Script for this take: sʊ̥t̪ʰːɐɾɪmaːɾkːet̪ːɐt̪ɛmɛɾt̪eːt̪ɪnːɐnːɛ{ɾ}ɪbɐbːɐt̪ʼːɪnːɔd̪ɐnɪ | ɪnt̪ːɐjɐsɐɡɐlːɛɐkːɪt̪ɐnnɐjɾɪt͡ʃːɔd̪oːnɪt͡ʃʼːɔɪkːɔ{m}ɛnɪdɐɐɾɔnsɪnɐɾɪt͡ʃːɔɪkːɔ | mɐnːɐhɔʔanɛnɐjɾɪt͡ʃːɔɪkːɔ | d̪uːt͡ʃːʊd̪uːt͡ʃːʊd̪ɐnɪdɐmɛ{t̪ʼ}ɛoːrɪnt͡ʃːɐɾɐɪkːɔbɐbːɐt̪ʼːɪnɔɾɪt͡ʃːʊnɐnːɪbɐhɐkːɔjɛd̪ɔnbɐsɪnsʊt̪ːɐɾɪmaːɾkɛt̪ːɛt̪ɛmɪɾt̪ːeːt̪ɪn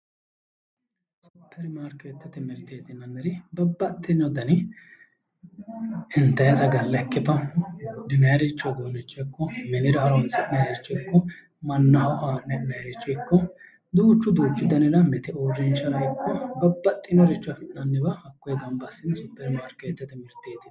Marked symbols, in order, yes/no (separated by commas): yes, yes, no